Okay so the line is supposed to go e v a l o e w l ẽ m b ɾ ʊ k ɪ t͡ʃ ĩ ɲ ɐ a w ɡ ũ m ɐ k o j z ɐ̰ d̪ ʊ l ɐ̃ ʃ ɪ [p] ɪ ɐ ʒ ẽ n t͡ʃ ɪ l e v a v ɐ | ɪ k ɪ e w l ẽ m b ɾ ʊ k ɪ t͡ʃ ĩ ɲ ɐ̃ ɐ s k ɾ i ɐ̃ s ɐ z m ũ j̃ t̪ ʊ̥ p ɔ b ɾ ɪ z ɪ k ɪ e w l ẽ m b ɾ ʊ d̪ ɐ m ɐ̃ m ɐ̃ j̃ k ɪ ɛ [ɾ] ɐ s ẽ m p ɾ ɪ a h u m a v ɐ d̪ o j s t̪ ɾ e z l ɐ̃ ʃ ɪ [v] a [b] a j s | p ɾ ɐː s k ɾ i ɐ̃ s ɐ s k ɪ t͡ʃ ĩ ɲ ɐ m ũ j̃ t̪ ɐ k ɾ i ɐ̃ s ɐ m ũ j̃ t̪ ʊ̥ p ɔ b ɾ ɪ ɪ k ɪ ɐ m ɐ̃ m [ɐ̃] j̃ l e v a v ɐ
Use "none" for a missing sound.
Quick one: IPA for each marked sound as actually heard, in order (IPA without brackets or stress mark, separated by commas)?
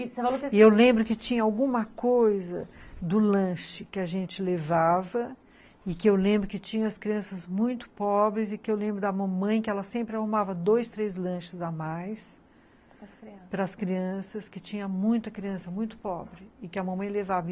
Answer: k, l, z, m, ɐ̃